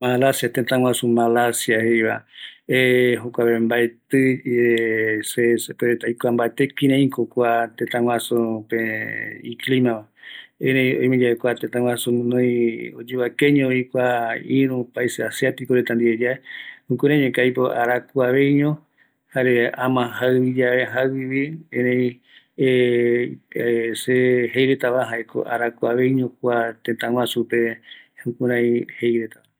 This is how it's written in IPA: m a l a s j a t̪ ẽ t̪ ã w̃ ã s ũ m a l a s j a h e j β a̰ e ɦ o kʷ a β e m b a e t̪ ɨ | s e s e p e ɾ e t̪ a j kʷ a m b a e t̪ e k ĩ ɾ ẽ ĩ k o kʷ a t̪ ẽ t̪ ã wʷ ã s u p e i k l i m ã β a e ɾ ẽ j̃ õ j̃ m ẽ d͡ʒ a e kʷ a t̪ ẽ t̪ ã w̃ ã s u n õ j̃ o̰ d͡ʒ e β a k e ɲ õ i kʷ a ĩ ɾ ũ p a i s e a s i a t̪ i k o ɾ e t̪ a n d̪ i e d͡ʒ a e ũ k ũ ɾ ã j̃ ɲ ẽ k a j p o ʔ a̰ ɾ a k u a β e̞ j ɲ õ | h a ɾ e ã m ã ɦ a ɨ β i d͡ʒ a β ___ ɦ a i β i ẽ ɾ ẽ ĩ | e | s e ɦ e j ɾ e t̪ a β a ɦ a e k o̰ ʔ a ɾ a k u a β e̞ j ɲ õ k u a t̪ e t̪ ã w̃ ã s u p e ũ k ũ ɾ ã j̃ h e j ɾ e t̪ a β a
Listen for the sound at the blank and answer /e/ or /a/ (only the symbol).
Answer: e